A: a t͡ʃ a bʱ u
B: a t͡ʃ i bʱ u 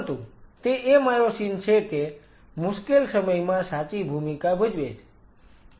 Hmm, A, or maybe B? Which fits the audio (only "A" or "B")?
B